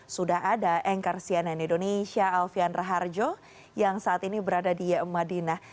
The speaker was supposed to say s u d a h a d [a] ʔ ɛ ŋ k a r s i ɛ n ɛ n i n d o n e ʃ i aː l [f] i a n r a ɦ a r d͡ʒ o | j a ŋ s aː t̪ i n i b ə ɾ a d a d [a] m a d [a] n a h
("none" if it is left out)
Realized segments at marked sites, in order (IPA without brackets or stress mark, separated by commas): a, f, i, i